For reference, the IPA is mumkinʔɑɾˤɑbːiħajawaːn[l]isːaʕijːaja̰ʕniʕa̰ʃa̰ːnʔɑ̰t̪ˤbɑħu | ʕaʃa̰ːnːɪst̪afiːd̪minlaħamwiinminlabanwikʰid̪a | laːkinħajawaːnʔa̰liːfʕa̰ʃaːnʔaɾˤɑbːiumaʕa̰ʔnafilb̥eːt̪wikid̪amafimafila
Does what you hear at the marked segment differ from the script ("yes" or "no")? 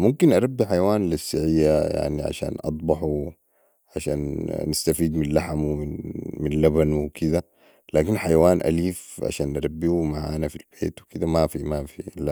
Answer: no